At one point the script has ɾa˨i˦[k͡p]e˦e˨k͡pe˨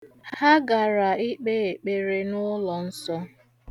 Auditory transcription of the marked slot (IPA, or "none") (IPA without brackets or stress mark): k͡p